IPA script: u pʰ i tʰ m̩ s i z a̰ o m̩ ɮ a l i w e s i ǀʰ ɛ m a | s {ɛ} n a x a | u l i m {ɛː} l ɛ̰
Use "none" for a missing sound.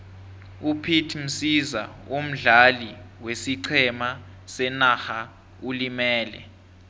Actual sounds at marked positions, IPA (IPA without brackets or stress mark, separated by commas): ɛ, ɛː